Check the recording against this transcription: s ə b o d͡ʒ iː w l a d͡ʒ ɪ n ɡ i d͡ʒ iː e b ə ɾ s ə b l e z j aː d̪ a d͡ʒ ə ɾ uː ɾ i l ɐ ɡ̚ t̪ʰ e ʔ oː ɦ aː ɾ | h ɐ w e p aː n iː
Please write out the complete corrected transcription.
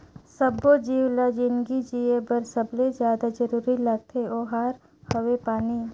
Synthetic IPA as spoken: s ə b o d͡ʒ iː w l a d͡ʒ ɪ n ɡ i d͡ʒ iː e b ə ɾ s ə b l e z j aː d̪ a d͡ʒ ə ɾ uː ɾ i l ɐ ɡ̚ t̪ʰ e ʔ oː ɦ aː ɾ | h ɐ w e p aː n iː